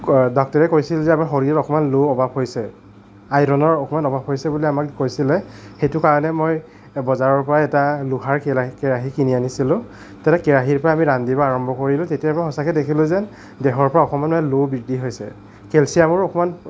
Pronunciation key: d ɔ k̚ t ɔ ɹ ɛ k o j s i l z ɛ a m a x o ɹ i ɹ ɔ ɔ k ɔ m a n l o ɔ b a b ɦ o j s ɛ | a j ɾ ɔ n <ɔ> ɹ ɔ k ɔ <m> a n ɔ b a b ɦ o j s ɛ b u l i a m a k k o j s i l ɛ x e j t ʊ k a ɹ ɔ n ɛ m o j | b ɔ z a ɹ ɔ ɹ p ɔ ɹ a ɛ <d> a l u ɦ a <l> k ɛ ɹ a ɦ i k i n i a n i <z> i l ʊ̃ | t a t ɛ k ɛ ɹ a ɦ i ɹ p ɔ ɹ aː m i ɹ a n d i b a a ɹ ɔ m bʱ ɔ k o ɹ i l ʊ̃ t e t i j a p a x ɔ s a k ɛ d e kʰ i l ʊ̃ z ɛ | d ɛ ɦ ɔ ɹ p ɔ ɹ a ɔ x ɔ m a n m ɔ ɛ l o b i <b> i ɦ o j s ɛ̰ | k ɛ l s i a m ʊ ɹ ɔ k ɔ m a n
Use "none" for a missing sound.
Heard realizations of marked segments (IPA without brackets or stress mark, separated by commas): ɔ, m, t, ɹ, s, d